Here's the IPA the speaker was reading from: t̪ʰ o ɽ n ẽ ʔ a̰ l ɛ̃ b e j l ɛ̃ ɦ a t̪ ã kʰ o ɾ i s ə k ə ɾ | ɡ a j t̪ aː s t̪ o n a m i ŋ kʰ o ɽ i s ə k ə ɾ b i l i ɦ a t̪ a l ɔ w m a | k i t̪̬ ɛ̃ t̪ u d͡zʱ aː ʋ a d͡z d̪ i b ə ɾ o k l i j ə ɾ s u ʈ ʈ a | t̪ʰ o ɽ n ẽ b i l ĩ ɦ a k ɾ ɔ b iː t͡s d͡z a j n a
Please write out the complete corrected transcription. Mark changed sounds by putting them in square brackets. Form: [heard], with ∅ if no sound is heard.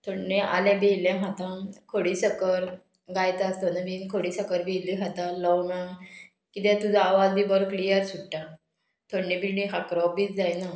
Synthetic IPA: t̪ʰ o ɽ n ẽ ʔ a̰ l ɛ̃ b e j l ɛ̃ ɦ a t̪ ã kʰ o [ɽ] i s ə k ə ɾ | ɡ a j t̪ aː s t̪ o n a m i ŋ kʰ o ɽ i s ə k ə ɾ b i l i ɦ a t̪ a l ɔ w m a | k i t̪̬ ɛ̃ t̪ u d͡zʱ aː ʋ a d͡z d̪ i b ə ɾ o k l i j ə ɾ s u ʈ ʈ a | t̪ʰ o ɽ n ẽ b i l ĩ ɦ a k ɾ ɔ b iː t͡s d͡z a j n a